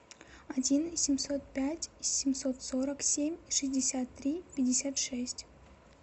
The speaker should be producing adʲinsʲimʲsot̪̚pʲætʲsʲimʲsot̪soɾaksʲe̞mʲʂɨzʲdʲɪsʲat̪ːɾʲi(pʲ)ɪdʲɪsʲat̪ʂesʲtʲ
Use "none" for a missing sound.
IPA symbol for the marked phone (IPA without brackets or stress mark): pʲ